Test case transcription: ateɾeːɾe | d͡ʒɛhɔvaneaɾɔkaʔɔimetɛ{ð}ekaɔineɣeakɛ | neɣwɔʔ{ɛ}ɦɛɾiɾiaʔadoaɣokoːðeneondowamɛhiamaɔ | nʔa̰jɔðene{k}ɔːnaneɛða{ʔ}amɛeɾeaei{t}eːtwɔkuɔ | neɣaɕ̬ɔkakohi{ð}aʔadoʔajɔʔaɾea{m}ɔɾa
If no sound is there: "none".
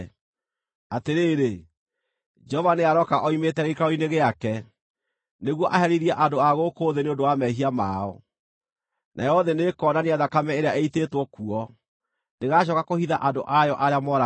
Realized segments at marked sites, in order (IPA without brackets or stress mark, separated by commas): ɣ, a, k, k, t, ð, m